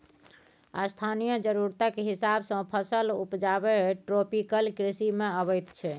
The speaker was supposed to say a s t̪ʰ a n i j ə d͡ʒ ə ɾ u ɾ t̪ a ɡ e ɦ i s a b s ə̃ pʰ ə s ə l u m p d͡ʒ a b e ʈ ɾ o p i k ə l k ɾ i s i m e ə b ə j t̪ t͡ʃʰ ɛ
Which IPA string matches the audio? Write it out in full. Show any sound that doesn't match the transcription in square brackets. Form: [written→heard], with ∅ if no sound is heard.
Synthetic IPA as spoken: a s t̪ʰ a n i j ə d͡ʒ ə ɾ u ɾ t̪ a [ɡ→k] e ɦ i s a b s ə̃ pʰ ə s ə l u [m→∅] p d͡ʒ a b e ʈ ɾ o p i k ə l k ɾ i s i m e ə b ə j t̪ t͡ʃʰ ɛ